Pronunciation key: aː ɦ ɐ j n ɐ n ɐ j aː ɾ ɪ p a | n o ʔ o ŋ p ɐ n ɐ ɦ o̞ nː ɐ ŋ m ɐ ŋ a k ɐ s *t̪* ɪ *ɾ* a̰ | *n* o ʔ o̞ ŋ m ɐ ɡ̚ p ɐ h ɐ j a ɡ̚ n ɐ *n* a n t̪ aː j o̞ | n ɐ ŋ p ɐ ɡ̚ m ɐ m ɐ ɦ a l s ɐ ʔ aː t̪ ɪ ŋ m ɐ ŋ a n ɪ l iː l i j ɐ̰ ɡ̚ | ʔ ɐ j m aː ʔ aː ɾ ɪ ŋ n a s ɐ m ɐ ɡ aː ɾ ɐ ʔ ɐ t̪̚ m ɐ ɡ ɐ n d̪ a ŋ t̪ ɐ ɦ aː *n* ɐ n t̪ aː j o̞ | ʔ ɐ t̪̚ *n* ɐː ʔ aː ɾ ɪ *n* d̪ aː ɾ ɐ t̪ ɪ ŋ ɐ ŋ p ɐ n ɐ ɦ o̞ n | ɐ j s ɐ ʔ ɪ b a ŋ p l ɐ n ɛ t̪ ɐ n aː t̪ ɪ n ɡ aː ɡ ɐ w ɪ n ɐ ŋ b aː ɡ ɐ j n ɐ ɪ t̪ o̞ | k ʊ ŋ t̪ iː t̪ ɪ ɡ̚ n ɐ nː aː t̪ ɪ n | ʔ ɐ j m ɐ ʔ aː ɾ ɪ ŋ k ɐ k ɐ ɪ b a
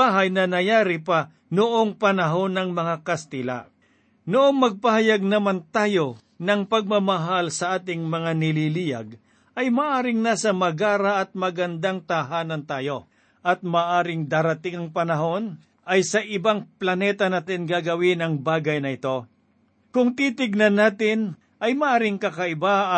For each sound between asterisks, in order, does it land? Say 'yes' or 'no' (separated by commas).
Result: yes, no, yes, no, yes, no, no